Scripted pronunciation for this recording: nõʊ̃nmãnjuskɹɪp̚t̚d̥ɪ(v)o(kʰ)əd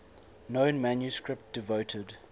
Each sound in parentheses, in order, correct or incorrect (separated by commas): correct, incorrect